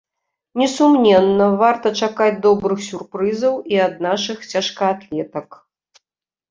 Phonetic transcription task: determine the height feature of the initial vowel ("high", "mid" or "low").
mid